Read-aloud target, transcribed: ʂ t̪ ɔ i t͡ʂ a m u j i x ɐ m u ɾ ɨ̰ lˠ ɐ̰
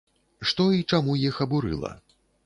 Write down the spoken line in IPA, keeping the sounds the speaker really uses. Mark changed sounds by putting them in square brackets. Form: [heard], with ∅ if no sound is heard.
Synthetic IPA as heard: ʂ t̪ ɔ i t͡ʂ a m u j i x ɐ [b] u ɾ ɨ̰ lˠ ɐ̰